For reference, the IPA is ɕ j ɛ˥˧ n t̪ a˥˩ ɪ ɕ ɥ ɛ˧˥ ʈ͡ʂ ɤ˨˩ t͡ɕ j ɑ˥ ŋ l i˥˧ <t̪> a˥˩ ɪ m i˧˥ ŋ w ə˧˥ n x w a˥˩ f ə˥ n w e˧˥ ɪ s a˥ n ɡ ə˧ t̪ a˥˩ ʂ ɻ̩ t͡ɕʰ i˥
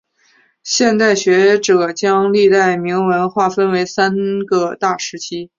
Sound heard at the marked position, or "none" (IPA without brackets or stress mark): t̪